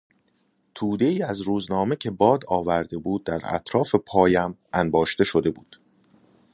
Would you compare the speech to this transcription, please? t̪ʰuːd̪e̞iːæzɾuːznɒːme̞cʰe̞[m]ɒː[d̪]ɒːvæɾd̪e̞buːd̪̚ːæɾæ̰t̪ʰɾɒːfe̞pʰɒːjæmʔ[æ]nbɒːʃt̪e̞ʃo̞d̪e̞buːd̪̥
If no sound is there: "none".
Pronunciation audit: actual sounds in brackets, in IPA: b, d̪, æ

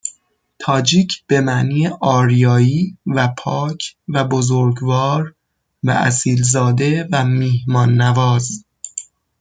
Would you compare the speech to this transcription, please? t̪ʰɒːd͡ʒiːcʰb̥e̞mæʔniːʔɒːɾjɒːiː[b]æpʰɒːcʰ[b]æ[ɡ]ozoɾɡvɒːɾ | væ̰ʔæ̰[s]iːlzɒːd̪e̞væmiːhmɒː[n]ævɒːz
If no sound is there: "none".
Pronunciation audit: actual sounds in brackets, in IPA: v, v, b, s, nː

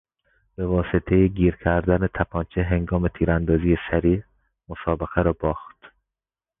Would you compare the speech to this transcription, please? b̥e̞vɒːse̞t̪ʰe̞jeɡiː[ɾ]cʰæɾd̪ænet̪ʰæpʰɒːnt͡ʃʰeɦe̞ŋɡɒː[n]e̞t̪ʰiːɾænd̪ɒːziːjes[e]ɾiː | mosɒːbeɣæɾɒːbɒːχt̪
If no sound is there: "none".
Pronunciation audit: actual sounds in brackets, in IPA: ɾ, m, æ

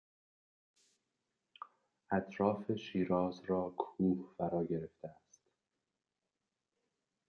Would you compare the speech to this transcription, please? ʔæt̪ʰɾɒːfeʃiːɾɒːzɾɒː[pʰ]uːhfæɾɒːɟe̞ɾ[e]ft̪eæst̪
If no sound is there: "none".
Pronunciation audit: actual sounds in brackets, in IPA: kʰ, e

